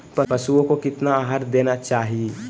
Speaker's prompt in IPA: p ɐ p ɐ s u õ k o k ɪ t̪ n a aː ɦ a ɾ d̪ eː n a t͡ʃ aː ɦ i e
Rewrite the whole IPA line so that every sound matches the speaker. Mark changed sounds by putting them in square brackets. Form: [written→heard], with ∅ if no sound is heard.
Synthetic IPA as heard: p ɐ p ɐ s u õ k o k ɪ t̪ n a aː ɦ a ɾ d̪ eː n a t͡ʃ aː ɦ i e